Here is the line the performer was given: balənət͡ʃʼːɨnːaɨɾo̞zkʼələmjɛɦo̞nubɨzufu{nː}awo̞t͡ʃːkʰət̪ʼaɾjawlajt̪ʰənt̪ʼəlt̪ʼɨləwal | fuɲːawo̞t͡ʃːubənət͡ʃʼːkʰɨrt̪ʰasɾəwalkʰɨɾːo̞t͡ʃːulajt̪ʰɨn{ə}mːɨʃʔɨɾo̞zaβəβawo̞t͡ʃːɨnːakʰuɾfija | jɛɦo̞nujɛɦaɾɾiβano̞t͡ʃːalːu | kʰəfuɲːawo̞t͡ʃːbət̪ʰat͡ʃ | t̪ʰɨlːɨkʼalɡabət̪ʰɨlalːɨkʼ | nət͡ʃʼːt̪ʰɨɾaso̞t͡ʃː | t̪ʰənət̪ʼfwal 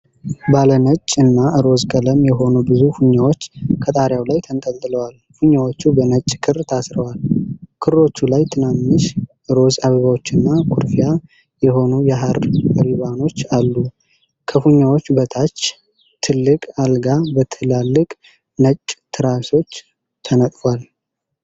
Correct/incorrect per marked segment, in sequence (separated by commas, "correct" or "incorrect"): incorrect, incorrect